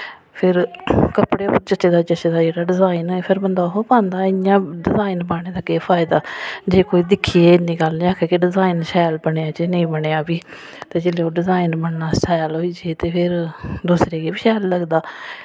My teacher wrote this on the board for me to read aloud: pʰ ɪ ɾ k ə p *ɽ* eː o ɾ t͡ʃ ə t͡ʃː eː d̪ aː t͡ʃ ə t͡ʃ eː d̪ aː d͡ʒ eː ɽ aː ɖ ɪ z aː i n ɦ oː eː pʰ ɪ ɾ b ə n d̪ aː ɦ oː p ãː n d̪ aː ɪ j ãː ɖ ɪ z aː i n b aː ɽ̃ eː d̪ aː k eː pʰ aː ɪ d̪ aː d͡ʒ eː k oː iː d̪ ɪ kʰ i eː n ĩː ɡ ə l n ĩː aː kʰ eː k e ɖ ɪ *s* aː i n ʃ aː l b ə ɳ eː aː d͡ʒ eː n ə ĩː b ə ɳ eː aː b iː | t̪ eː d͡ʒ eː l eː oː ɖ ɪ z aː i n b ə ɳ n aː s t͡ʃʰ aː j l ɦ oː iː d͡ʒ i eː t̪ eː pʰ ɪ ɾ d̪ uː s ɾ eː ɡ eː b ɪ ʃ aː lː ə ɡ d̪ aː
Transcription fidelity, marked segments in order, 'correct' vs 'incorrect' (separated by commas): correct, incorrect